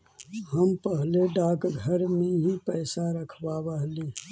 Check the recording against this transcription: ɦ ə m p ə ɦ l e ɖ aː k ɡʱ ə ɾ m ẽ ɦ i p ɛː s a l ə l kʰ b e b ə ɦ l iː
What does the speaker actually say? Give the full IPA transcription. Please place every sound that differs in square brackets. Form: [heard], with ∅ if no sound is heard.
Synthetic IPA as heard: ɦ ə m p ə ɦ l e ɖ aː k ɡʱ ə ɾ m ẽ ɦ i p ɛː s a [ɾ] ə [∅] kʰ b [a] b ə ɦ l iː